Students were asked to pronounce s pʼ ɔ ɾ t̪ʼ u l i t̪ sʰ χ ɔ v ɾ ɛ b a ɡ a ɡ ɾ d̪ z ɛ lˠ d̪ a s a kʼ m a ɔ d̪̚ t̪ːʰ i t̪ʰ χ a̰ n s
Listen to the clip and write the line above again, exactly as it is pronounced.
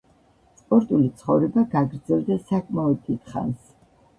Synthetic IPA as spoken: s pʼ ɔ ɾ t̪ʼ u l i t̪ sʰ χ ɔ v ɾ ɛ b a ɡ a ɡ ɾ d̪ z ɛ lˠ d̪ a s a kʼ m a ɔ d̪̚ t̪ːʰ i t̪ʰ χ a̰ n s